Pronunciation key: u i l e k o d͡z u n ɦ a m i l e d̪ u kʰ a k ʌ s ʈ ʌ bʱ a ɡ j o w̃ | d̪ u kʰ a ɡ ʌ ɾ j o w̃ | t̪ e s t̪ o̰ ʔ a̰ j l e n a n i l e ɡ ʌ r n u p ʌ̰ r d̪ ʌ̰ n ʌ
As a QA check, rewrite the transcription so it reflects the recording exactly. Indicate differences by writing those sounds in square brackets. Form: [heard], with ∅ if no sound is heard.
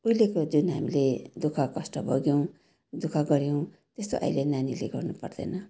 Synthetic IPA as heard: u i l e k o d͡z u n ɦ a m i l e d̪ u kʰ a k ʌ s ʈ ʌ bʱ [ʌ] ɡ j o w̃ | d̪ u kʰ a ɡ ʌ ɾ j o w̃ | t̪ e s t̪ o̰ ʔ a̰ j l e n a n i l e ɡ ʌ r n u p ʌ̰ r d̪ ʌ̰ n ʌ